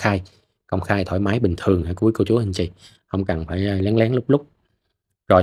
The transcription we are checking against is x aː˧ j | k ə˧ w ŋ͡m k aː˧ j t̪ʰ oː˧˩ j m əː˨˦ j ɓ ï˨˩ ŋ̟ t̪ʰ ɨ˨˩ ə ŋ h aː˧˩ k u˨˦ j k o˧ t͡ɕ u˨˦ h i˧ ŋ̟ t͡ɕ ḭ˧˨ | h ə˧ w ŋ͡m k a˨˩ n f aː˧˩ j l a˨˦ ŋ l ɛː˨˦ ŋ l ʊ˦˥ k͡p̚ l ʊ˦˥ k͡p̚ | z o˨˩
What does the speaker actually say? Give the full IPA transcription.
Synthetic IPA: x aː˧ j | k ə˧ w ŋ͡m x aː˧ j t̪ʰ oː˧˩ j m aː˨˦ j ɓ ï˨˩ ŋ̟ t̪ʰ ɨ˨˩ ə ŋ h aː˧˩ k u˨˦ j k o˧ t͡ɕ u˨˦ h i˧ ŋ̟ t͡ɕ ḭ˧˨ | h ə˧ w ŋ͡m k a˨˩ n f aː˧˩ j l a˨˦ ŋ l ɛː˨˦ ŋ l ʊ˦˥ k͡p̚ l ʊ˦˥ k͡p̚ | z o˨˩